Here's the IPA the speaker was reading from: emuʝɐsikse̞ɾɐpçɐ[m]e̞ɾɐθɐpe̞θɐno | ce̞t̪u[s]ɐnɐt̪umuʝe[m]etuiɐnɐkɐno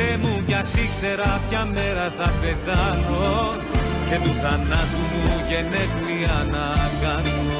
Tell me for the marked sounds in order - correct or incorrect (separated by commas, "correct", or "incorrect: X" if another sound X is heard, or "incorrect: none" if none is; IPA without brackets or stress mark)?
correct, incorrect: θ, incorrect: n